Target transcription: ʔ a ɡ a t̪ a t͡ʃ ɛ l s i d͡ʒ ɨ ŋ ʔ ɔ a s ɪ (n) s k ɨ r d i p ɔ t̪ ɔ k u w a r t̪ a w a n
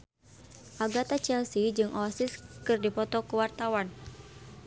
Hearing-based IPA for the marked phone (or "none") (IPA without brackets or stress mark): none